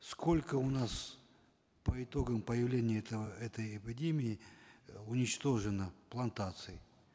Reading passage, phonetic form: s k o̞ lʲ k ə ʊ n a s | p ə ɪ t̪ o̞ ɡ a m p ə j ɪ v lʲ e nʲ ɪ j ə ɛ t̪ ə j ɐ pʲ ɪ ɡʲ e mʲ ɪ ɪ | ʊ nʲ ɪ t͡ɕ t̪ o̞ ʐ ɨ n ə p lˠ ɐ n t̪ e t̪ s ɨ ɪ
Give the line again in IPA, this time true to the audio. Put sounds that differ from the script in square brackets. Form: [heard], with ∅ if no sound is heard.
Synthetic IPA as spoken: s k o̞ lʲ k ə ʊ n a s | p ə ɪ t̪ o̞ ɡ [ə] m p ə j ɪ v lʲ e nʲ ɪ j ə ɛ t̪ ə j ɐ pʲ ɪ [dʲ] e mʲ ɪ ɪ | ʊ nʲ ɪ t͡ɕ t̪ o̞ ʐ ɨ n ə p lˠ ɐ n t̪ [a] t̪ s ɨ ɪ